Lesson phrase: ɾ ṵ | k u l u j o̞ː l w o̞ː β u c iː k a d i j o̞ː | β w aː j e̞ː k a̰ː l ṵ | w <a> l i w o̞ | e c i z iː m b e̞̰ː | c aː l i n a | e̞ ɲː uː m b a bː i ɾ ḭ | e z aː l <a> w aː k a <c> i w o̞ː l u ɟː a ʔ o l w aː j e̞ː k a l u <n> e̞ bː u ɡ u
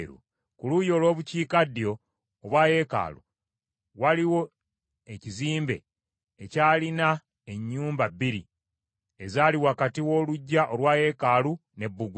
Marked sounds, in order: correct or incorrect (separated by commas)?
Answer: correct, incorrect, incorrect, correct